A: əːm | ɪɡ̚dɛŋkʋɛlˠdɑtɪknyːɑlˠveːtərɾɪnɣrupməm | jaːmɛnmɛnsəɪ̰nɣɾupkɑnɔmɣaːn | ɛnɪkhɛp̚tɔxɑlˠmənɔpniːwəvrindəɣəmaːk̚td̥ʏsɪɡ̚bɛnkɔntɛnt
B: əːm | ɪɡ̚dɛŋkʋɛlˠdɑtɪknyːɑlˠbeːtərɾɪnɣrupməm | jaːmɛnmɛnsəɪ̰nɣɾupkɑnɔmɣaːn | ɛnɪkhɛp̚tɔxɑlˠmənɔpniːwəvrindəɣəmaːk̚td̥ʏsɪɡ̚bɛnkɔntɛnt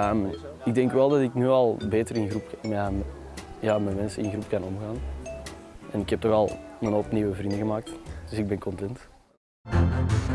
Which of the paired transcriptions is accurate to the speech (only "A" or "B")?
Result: B